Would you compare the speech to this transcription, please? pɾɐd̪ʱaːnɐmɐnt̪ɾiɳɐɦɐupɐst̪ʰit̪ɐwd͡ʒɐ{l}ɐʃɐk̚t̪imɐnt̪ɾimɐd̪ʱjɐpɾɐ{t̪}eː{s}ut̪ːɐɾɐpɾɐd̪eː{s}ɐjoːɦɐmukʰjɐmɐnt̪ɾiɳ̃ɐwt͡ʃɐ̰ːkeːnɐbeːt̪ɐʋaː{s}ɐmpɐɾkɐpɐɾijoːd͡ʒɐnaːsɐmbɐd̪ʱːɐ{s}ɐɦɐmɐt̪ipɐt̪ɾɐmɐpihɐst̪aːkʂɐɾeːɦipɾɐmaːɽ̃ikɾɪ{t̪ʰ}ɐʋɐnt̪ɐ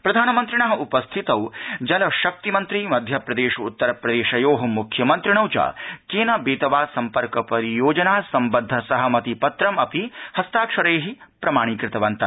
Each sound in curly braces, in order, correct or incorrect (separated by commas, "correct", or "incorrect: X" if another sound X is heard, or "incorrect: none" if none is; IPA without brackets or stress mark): correct, incorrect: d̪, incorrect: ʃ, incorrect: ʃ, correct, correct, incorrect: t̪